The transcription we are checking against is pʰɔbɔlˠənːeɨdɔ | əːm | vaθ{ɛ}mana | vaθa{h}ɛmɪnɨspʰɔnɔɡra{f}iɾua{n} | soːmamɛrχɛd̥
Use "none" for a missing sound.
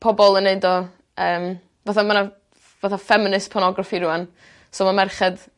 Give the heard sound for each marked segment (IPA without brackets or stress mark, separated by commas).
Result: a, f, f, n